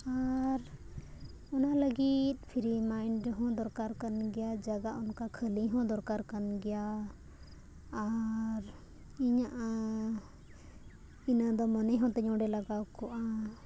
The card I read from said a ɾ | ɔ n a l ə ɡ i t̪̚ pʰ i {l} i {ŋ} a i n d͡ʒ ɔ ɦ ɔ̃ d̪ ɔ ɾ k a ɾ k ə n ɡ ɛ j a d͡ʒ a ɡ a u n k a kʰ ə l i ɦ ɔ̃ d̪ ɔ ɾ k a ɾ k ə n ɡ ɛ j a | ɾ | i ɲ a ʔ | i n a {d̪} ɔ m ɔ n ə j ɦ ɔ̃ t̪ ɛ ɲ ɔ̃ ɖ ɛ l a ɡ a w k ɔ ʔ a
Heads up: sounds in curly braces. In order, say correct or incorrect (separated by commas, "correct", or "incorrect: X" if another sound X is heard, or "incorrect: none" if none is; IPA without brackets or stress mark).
incorrect: ɾ, incorrect: m, correct